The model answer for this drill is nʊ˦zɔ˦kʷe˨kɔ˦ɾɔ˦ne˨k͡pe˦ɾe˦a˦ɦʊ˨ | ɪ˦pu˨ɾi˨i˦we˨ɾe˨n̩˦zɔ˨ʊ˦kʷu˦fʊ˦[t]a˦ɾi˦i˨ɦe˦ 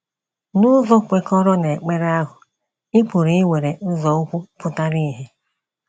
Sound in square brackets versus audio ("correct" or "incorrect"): correct